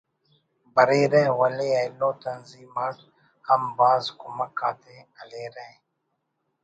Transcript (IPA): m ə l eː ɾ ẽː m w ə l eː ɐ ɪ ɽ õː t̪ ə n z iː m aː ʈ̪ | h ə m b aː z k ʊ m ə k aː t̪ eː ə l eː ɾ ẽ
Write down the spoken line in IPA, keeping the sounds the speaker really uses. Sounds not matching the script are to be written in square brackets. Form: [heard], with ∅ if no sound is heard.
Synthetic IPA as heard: [b] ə [ɾ] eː ɾ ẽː [∅] w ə l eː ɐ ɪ [l] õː t̪ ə n z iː m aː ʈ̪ | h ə m b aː z k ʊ m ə k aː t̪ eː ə l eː ɾ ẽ